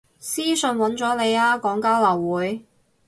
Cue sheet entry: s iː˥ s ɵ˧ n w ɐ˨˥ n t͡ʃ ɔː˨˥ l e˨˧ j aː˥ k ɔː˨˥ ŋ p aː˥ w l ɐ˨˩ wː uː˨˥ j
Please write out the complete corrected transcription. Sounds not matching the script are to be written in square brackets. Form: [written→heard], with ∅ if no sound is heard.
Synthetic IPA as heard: s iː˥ s ɵ˧ n w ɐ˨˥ n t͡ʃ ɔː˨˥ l e˨˧ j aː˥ k ɔː˨˥ ŋ [p→k] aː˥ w l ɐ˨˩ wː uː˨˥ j

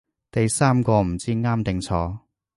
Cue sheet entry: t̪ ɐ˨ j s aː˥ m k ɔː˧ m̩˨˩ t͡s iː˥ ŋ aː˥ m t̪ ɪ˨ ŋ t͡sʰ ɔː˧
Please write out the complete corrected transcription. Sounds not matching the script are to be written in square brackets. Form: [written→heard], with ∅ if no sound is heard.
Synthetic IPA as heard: t̪ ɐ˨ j s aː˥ m k ɔː˧ m̩˨˩ t͡s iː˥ ŋ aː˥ m t̪ ɪ˨ ŋ t͡sʰ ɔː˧

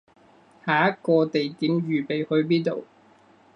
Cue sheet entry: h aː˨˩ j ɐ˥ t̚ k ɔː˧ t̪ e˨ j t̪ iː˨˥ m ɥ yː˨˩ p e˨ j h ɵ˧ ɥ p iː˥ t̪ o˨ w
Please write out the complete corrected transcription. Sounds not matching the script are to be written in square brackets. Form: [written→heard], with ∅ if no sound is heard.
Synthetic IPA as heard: h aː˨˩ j ɐ˥ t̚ k ɔː˧ t̪ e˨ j t̪ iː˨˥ m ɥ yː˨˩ p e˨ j h ɵ˧ ɥ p iː˥ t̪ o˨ w

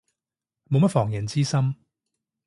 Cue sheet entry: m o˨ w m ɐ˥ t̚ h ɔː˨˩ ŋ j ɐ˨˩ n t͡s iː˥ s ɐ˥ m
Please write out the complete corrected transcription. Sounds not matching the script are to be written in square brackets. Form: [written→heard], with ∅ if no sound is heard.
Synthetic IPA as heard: m o˨ w m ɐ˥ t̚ [h→f] ɔː˨˩ ŋ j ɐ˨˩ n t͡s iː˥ s ɐ˥ m

